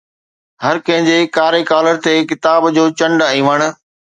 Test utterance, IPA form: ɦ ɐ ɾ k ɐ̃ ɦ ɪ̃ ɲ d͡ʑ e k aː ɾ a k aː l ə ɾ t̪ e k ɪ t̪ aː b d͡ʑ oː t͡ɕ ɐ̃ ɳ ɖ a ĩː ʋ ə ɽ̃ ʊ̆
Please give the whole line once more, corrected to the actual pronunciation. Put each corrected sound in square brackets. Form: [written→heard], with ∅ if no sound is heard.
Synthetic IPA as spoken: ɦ ɐ ɾ k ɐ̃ ɦ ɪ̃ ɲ d͡ʑ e k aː ɾ [a→e] k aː l ə ɾ t̪ e k ɪ t̪ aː b d͡ʑ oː t͡ɕ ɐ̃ ɳ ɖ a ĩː ʋ ə ɽ̃ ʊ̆